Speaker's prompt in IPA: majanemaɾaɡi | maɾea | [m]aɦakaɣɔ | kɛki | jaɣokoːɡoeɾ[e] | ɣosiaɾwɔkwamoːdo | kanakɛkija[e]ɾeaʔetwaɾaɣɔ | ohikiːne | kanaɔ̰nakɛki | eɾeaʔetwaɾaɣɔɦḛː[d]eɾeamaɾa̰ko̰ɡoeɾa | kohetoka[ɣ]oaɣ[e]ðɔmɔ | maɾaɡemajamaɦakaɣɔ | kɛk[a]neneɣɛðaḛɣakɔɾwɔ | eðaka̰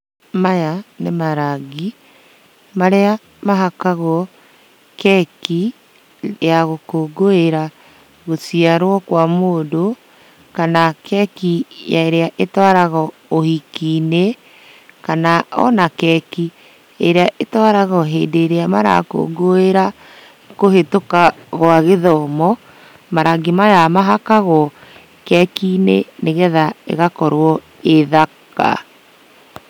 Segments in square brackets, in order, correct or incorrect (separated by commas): correct, incorrect, correct, correct, correct, correct, incorrect